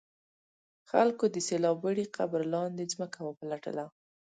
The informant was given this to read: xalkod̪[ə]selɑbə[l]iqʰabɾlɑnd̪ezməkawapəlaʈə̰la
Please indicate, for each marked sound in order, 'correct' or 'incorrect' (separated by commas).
correct, incorrect